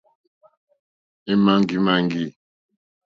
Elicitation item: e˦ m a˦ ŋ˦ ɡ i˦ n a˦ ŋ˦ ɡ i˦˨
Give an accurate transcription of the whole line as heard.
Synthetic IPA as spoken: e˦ m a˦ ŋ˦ ɡ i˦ m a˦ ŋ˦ ɡ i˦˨